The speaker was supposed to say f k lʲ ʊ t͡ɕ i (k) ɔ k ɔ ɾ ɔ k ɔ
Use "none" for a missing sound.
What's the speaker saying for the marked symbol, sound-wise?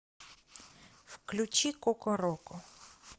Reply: k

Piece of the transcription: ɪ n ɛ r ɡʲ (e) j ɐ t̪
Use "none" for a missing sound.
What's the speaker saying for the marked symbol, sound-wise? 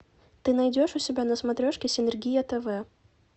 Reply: i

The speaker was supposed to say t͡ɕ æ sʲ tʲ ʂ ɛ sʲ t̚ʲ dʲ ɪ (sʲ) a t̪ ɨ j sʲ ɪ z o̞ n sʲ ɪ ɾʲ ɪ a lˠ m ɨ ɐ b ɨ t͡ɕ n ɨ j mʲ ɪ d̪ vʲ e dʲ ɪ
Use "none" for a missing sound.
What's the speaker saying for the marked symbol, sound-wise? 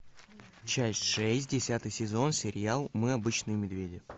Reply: sʲ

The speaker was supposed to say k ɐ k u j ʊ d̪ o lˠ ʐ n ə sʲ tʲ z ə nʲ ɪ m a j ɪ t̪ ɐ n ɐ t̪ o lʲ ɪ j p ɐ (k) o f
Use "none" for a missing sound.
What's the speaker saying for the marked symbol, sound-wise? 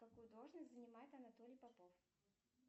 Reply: p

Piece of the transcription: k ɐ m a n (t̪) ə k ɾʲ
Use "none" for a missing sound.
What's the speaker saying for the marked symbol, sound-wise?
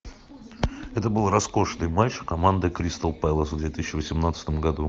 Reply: d̪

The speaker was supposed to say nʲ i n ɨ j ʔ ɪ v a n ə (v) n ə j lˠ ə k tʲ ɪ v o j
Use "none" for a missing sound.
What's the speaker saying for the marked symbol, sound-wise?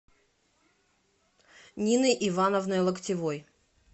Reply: v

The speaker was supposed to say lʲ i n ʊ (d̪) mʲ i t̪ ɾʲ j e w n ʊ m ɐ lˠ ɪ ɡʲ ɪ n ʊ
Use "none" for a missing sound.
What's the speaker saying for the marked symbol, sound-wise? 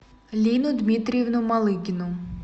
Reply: d̪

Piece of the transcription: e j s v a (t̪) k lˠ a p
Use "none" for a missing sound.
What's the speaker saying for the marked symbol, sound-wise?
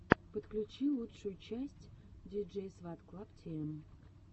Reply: t̪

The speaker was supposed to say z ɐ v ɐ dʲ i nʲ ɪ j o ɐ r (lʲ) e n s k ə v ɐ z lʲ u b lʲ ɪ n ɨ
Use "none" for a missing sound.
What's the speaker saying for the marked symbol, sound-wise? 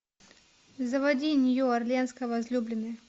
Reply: lʲ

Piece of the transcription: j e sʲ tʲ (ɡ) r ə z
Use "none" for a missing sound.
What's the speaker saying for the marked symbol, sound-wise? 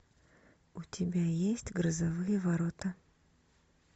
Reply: ɡ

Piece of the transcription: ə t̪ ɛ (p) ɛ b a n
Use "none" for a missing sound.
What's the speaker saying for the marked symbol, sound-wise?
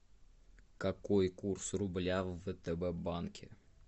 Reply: b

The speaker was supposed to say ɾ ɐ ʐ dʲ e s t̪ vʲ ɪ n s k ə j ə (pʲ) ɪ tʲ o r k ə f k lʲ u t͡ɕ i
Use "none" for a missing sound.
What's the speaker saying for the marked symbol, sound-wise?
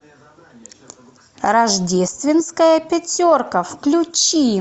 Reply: pʲ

